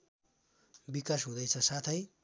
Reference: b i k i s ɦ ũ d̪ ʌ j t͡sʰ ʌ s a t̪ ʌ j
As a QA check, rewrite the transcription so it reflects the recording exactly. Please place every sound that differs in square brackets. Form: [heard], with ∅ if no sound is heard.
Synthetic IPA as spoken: b i k [a] s ɦ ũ d̪ ʌ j t͡sʰ ʌ s a [t̪ʰ] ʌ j